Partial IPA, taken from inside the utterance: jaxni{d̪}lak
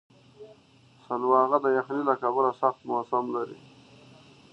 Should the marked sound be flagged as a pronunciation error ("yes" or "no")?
yes